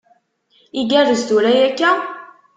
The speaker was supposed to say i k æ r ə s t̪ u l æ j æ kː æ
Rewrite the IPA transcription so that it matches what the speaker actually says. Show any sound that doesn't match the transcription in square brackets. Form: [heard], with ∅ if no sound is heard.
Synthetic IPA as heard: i [ɡ] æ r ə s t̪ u [ɾ] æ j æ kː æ